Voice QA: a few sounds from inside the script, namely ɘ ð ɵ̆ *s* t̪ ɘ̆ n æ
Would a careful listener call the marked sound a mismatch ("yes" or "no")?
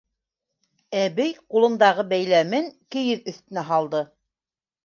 yes